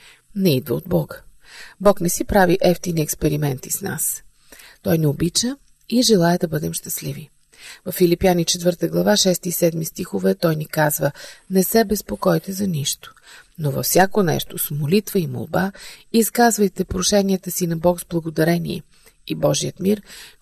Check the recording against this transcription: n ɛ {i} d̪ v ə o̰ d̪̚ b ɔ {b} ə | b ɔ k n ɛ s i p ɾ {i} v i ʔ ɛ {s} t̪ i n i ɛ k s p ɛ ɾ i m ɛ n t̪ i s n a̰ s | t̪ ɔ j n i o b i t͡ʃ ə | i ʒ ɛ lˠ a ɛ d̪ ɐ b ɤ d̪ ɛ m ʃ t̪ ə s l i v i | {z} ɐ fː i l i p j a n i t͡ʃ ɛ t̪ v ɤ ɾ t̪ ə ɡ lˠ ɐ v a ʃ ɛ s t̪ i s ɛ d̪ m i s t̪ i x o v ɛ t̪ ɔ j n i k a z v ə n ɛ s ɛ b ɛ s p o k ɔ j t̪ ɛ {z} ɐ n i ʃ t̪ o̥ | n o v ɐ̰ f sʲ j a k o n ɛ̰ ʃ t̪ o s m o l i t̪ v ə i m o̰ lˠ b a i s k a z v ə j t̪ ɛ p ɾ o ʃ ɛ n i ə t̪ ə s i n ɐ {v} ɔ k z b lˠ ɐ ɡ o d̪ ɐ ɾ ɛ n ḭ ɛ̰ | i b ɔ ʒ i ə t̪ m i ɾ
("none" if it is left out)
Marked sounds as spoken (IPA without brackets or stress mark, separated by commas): i, ɡ, a, f, v, z, b